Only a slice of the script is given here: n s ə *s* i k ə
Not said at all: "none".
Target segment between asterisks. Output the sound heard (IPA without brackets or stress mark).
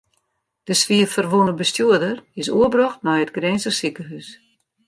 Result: s